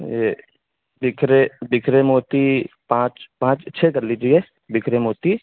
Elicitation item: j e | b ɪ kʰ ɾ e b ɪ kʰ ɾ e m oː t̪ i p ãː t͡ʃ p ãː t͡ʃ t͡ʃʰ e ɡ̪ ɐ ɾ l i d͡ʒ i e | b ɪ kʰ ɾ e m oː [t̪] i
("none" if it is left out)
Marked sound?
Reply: t̪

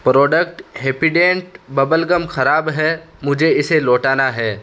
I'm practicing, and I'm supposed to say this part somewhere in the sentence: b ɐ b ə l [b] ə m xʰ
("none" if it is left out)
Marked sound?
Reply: ɡ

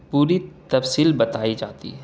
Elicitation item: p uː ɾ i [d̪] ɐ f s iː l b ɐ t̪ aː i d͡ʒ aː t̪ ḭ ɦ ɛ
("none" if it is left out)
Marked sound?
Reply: t̪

